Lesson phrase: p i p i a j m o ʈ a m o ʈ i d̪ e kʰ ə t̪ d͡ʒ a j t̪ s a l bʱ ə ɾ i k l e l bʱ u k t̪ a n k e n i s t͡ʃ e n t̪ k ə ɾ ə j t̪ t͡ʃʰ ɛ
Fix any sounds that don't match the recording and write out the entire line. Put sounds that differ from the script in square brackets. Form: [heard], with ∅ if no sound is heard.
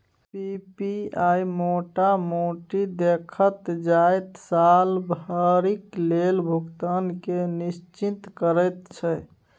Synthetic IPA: p i p i a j m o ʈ a m o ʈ i d̪ e kʰ ə t̪ d͡ʒ a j t̪ s a l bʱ ə ɾ i k l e l bʱ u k t̪ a n k e n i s t͡ʃ [i] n t̪ k ə ɾ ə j t̪ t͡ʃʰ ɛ